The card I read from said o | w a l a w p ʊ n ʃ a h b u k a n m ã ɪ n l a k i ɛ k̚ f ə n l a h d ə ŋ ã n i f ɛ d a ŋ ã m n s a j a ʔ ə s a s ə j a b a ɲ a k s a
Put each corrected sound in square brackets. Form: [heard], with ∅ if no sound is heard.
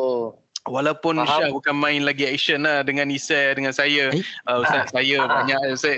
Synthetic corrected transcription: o | w a l a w p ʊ n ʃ a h b u k a n m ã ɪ n l a [ɡ] i ɛ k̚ [ʃ] ə n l a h d ə ŋ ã n i [s] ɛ d [ə] ŋ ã [∅] n s a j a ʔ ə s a s [a] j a b a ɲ a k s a